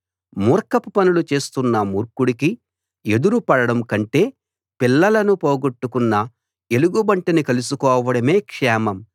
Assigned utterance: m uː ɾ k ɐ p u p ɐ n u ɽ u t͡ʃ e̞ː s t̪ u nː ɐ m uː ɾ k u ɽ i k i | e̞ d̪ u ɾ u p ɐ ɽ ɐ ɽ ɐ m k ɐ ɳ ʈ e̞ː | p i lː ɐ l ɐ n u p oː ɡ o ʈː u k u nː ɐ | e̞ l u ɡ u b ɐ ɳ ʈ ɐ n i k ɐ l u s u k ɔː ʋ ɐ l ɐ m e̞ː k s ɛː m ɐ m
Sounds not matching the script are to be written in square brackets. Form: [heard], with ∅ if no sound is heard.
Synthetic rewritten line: m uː ɾ k ɐ p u p ɐ n u [l] u t͡ʃ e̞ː s t̪ u nː ɐ m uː ɾ k u ɽ i k i | e̞ d̪ u ɾ u p ɐ ɽ ɐ ɽ ɐ m k ɐ ɳ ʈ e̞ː | p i lː ɐ l ɐ n u p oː ɡ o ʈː u k u nː ɐ | e̞ l u ɡ u b ɐ ɳ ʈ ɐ n i k ɐ l u s u k ɔː ʋ ɐ [ɽ] ɐ m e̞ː k [ʂ] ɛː m ɐ m